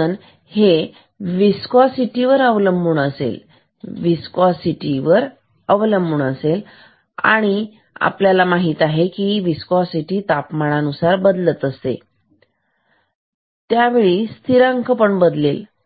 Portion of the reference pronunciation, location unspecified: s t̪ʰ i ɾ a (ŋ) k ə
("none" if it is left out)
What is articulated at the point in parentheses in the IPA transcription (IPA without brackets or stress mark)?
ŋ